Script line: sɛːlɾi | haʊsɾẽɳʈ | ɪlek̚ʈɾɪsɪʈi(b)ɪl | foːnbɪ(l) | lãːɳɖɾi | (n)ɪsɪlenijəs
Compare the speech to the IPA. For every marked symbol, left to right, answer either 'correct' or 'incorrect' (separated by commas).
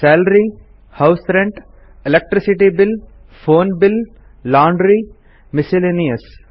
correct, correct, incorrect